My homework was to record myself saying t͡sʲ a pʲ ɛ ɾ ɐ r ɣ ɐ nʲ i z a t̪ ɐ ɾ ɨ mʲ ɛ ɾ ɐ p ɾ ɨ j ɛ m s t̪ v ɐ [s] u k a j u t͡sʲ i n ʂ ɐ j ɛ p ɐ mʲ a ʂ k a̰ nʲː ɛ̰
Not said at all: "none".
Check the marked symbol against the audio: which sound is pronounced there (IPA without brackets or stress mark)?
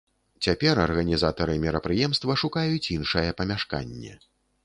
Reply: ʂ